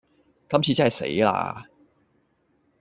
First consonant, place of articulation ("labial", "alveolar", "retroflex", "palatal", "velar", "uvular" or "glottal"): velar